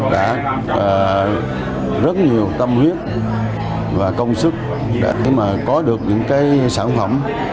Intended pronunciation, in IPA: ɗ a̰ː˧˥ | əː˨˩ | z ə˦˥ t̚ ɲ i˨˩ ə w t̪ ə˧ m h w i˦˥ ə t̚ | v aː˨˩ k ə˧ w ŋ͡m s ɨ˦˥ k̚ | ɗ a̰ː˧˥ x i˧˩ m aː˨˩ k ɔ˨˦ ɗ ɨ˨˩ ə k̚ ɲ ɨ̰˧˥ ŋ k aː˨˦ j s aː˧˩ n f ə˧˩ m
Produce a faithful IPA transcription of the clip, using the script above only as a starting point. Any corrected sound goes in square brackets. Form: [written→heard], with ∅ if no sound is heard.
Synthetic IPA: ɗ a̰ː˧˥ | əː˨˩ | z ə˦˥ t̚ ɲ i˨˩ ə w t̪ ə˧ m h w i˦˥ ə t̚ | v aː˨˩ k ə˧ w ŋ͡m s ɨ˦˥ k̚ | ɗ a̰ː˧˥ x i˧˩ m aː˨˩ k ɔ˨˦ ɗ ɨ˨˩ ə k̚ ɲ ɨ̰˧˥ ŋ k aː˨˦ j s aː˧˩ n f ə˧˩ m

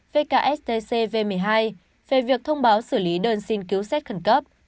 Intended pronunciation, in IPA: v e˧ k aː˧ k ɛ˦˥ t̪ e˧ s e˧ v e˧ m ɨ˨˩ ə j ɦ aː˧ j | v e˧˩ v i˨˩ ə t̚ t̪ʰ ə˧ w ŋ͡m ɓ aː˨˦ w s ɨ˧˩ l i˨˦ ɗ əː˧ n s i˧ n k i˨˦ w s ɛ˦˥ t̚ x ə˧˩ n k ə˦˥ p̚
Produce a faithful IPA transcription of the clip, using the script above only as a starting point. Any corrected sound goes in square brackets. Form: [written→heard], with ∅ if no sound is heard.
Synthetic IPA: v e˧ k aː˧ [k→ʔ] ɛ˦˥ t̪ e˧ s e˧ v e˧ m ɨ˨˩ ə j ɦ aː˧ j | v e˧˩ v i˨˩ ə [t̚→k̚] t̪ʰ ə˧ w ŋ͡m ɓ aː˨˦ w s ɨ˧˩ l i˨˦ ɗ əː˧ n s i˧ n k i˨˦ w s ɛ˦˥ t̚ x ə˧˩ n k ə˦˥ p̚

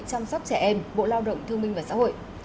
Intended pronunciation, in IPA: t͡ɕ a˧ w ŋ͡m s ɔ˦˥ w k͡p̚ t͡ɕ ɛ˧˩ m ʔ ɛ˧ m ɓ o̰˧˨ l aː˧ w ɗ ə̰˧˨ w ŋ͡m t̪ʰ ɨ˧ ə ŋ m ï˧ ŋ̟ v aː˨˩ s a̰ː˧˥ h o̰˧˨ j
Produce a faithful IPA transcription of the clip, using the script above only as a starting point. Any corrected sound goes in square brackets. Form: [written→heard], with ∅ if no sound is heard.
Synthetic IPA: t͡ɕ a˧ w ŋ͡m s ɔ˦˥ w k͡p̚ t͡ɕ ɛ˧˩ [m→∅] ʔ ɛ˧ m ɓ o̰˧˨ l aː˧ w ɗ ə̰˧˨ w ŋ͡m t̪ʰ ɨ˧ ə ŋ m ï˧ ŋ̟ v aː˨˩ s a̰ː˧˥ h o̰˧˨ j

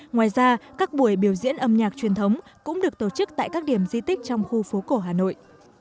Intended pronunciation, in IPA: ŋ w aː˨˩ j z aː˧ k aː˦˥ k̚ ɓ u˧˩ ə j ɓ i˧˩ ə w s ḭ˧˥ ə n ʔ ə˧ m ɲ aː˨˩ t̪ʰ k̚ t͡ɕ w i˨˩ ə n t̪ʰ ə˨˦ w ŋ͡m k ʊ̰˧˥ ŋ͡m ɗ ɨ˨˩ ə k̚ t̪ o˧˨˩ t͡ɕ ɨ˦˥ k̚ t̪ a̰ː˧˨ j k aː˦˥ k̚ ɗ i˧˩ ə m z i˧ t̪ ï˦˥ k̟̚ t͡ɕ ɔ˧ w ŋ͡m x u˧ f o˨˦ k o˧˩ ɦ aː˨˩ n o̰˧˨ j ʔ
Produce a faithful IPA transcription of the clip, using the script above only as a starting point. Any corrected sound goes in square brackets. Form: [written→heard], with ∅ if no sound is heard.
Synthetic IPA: ŋ w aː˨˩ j z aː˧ k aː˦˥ k̚ ɓ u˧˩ ə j ɓ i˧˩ ə w [s→z] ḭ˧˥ ə n ʔ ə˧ m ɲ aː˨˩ [t̪ʰ→∅] k̚ t͡ɕ w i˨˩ ə n t̪ʰ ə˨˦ w ŋ͡m k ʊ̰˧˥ ŋ͡m ɗ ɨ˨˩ ə k̚ t̪ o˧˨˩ t͡ɕ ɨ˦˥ k̚ t̪ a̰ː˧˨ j k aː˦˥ k̚ ɗ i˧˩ ə m z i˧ t̪ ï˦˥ k̟̚ t͡ɕ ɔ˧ w ŋ͡m x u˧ f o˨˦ k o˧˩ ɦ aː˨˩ n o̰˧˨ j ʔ

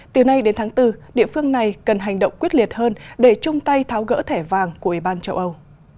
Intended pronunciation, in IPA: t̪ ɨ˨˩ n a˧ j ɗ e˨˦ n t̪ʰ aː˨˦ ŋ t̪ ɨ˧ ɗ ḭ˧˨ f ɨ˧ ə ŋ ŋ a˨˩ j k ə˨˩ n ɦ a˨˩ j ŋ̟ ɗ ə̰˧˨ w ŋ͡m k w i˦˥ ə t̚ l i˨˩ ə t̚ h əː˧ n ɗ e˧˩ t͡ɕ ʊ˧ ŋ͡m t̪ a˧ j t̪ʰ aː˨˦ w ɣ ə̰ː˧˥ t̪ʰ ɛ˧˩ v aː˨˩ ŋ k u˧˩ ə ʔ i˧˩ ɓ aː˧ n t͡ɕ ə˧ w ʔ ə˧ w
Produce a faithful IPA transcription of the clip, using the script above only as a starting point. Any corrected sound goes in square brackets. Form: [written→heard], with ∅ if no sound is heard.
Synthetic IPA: t̪ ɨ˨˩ n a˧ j ɗ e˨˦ n t̪ʰ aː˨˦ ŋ t̪ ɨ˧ ɗ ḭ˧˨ f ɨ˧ ə ŋ [ŋ→n] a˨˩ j k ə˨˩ n ɦ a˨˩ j ŋ̟ ɗ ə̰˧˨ w ŋ͡m k w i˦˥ ə t̚ l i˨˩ ə t̚ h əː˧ n ɗ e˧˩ t͡ɕ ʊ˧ ŋ͡m t̪ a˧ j t̪ʰ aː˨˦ w ɣ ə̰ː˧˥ t̪ʰ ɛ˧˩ v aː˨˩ ŋ k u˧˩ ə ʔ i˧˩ ɓ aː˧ n t͡ɕ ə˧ w ʔ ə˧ w

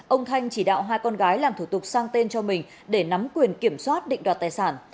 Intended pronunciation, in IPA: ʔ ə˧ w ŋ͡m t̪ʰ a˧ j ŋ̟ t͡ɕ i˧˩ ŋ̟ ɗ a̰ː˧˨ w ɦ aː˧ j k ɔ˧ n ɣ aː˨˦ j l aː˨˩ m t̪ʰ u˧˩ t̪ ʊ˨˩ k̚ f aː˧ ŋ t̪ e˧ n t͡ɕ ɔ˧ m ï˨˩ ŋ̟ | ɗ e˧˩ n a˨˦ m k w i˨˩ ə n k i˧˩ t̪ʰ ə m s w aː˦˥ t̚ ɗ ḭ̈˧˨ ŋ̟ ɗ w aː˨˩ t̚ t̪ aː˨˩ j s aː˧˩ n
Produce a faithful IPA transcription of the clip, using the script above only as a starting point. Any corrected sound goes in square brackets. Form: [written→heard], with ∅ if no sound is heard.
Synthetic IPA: ʔ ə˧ w ŋ͡m t̪ʰ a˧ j ŋ̟ t͡ɕ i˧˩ [ŋ̟→∅] ɗ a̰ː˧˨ w ɦ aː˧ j k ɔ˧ n ɣ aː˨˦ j l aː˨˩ m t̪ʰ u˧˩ t̪ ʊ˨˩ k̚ [f→s] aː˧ ŋ t̪ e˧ n t͡ɕ ɔ˧ m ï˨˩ ŋ̟ | ɗ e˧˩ n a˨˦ m k w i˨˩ ə n k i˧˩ [t̪ʰ→∅] ə m s w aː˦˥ t̚ ɗ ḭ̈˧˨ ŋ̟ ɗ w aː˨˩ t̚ t̪ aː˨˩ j s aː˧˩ n

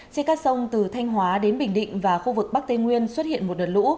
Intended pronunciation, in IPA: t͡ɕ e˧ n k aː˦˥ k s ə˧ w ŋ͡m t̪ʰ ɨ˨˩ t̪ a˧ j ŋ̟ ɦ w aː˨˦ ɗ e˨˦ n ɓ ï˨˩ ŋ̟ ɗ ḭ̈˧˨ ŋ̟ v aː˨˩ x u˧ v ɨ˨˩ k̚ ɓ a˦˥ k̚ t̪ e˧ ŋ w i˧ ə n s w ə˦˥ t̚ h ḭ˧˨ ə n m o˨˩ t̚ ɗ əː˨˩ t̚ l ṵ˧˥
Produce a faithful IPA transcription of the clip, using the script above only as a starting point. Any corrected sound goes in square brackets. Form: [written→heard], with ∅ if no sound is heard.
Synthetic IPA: t͡ɕ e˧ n k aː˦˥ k s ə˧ w ŋ͡m [t̪ʰ→t̪] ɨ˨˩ [t̪→t̪ʰ] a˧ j ŋ̟ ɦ w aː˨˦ ɗ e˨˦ n ɓ ï˨˩ ŋ̟ ɗ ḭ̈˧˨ ŋ̟ v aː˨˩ x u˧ v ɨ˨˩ k̚ ɓ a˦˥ k̚ t̪ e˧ ŋ w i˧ ə n s w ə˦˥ t̚ h ḭ˧˨ ə n m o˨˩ t̚ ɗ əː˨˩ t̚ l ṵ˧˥

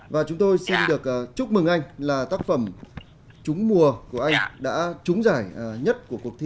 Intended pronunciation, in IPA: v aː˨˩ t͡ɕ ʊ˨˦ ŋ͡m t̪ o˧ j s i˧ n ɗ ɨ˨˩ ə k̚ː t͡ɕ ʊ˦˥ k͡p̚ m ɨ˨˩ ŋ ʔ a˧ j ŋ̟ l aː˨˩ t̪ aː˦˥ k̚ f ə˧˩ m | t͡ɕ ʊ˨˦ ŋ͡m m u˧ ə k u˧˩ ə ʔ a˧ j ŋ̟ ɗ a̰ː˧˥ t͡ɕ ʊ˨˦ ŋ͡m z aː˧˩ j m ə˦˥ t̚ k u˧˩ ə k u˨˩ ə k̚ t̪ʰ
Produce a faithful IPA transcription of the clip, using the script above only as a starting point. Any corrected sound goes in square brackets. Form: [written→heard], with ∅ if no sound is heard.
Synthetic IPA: v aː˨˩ t͡ɕ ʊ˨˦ ŋ͡m t̪ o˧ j s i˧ n ɗ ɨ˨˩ ə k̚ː t͡ɕ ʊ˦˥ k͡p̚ m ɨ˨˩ ŋ ʔ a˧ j ŋ̟ l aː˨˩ t̪ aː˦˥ k̚ f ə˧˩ m | t͡ɕ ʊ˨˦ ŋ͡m m [u˧→u˨˩] ə k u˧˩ ə ʔ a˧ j ŋ̟ ɗ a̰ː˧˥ t͡ɕ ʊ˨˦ ŋ͡m z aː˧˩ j [m→ɲ] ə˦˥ t̚ k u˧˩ ə k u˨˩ ə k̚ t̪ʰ

